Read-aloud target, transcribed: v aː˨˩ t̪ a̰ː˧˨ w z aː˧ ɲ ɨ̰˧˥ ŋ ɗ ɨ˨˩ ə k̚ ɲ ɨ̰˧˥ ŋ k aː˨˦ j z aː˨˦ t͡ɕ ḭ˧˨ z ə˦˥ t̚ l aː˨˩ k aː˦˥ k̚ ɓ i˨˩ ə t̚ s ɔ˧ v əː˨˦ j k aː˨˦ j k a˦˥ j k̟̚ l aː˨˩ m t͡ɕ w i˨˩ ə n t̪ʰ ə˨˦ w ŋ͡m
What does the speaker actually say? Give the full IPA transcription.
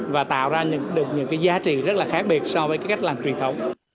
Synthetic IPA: v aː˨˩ t̪ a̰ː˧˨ w z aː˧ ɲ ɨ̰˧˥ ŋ ɗ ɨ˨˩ ə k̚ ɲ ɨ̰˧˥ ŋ k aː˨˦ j z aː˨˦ t͡ɕ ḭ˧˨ z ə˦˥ t̚ l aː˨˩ x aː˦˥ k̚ ɓ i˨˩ ə t̚ s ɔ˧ v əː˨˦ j k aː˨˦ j k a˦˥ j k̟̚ l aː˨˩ m t͡ɕ w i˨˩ ə n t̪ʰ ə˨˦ w ŋ͡m